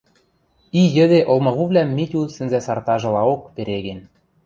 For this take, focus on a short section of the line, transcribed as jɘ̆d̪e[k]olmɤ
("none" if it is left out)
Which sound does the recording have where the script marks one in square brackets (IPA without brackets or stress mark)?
ʔ